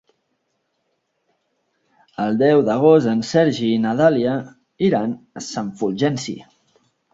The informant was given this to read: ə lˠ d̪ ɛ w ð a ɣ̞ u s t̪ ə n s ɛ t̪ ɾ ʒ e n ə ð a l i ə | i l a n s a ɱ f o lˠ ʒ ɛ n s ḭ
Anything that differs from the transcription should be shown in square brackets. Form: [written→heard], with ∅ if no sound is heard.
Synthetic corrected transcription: ə lˠ d̪ ɛ w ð [a→ə] ɣ̞ [u→o] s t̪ ə n s ɛ [t̪→∅] ɾ ʒ [e→i] n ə ð a l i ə | i [l→ɾ] a n s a ɱ f [o→u] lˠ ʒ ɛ n s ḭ

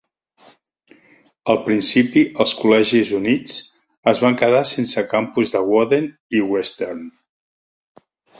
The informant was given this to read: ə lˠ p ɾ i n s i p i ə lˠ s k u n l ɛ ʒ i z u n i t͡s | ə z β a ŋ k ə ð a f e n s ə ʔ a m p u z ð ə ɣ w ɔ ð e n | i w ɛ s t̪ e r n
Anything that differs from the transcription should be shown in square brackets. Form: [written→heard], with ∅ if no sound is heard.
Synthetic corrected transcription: ə lˠ p ɾ i n s i p i ə lˠ s k u [n→∅] l ɛ ʒ i z u n i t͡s | ə z β a ŋ k ə ð a [f→s] e n s ə [ʔ→k] a m p u z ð ə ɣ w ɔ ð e n | i w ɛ s t̪ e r n

